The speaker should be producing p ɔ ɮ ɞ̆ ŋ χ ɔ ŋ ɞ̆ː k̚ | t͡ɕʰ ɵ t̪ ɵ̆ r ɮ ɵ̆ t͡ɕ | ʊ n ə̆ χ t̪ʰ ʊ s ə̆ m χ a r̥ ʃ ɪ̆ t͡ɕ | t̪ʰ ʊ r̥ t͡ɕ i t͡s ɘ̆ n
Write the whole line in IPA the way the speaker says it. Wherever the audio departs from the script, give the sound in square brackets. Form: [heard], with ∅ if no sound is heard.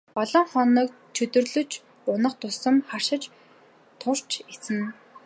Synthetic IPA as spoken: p ɔ ɮ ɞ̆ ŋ χ ɔ [n] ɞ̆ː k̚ | t͡ɕʰ ɵ t̪ ɵ̆ r ɮ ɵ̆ t͡ɕ | ʊ n ə̆ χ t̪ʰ ʊ s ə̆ m χ a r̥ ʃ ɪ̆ t͡ɕ | t̪ʰ ʊ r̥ t͡ɕ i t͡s ɘ̆ n